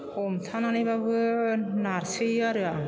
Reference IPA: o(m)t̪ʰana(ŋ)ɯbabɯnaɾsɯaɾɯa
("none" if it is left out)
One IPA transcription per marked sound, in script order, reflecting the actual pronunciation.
m, n

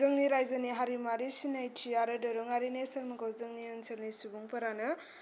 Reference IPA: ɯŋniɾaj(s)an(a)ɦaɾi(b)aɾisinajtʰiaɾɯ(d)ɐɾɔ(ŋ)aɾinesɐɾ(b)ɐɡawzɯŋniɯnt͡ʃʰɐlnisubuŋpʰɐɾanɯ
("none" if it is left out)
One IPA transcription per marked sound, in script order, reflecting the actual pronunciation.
z, i, m, d, ŋ, m

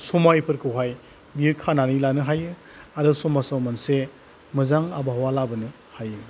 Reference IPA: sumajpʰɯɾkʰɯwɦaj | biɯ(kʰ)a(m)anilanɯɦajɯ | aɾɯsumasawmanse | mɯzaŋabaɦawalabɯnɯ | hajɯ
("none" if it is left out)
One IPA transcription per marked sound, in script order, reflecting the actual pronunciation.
kʰ, n

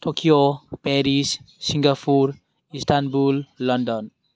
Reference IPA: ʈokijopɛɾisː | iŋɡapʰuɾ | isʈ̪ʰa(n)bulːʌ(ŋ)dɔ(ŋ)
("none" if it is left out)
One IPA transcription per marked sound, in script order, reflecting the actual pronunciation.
n, n, n

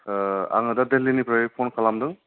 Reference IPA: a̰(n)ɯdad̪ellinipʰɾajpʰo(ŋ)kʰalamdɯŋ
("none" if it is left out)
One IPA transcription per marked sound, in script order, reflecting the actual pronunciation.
ŋ, n

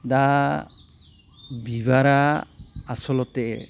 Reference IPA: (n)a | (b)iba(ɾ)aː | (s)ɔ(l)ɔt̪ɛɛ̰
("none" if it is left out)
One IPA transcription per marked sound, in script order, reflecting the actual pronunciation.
d, b, ɾ, s, l

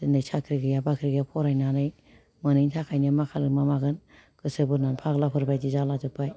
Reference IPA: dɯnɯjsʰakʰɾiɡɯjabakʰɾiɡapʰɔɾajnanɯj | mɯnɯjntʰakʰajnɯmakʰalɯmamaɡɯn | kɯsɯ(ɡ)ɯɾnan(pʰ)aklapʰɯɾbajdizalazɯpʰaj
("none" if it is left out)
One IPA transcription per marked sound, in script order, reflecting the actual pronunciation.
b, pʰ

